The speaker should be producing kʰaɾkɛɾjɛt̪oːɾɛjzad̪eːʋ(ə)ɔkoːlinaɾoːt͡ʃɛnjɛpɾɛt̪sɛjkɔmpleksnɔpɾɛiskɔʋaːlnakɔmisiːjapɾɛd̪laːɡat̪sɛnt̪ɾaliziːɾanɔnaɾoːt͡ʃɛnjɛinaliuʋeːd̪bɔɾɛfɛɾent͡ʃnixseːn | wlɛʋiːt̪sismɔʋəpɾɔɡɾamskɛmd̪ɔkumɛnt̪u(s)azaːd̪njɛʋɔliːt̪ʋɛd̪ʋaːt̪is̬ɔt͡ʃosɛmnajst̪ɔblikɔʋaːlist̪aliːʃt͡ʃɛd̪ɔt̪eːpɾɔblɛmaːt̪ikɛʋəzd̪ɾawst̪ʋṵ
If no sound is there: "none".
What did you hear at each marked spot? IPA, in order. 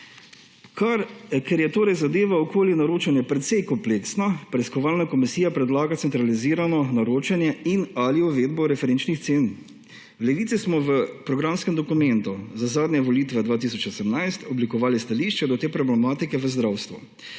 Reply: a, z

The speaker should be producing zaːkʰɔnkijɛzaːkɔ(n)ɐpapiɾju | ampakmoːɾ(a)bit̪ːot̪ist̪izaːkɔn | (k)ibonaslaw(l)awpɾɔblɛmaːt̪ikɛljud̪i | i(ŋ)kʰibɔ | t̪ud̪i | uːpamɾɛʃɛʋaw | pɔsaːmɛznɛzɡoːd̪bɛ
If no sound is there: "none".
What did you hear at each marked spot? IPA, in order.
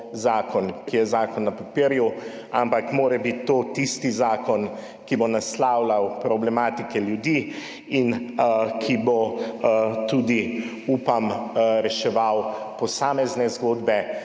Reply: nː, ɛ, k, l, n

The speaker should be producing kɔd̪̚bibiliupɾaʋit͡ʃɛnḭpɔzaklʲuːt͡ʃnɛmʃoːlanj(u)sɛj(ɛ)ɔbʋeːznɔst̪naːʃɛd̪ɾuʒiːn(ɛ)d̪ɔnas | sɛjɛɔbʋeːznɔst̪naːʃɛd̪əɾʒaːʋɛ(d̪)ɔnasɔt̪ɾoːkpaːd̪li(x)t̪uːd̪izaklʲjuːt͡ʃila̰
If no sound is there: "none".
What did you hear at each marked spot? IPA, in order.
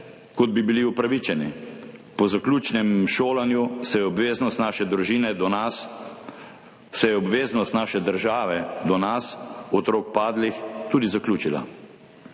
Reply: u, ɛ, ɛ, d̪, x

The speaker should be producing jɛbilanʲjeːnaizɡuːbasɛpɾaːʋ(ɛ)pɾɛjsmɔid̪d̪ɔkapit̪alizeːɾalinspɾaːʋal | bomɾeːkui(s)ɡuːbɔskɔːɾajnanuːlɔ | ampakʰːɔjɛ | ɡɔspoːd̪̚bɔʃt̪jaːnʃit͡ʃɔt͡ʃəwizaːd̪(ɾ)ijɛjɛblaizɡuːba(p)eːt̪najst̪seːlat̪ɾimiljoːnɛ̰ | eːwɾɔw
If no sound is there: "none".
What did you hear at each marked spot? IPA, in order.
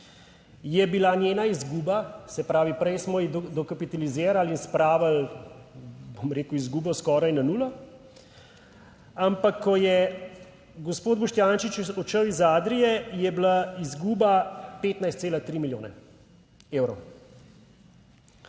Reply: i, z, ɾ, p

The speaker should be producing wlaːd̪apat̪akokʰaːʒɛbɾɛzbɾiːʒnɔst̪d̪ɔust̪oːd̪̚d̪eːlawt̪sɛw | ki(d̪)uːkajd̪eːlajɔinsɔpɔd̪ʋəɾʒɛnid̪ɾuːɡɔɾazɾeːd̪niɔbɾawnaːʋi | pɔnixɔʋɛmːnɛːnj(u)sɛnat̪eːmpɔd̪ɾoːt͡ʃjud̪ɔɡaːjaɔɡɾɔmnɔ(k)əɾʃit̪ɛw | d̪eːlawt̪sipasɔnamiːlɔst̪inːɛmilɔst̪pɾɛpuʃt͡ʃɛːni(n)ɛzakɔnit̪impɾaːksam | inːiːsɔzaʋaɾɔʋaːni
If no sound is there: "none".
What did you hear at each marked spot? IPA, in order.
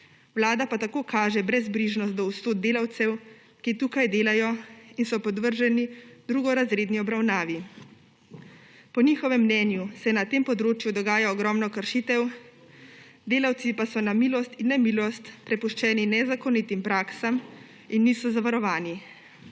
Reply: t̪, u, k, n

